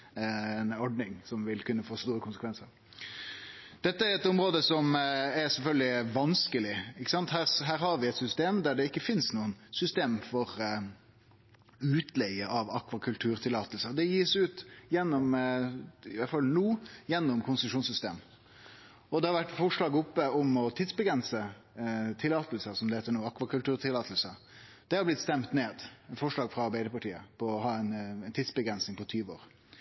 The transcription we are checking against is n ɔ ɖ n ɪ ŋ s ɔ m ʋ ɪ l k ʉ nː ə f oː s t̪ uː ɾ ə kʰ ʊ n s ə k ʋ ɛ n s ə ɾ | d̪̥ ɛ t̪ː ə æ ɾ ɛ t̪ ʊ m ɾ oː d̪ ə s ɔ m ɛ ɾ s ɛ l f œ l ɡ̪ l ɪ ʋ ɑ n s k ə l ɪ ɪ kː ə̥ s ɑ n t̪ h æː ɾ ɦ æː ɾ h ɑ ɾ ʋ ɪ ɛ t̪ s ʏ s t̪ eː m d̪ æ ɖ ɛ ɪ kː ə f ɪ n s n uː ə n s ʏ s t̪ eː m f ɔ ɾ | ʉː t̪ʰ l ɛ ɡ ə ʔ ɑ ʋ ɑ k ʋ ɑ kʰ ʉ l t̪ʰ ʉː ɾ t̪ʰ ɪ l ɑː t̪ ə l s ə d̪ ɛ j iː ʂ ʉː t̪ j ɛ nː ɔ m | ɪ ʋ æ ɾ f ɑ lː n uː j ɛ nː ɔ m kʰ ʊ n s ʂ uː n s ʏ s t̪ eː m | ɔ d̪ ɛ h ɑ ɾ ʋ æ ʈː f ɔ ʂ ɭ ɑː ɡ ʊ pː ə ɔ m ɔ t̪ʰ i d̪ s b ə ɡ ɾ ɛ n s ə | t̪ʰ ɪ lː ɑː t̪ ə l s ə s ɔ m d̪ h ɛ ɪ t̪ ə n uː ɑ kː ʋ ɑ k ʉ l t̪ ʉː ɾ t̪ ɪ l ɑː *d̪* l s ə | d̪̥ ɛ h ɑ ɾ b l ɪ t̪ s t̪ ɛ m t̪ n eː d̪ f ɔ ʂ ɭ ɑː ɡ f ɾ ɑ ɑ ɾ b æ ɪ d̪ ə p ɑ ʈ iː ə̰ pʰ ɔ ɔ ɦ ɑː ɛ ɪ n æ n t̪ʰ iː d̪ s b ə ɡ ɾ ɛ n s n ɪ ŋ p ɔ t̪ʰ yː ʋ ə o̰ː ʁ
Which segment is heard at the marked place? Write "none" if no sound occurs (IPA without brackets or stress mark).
t̪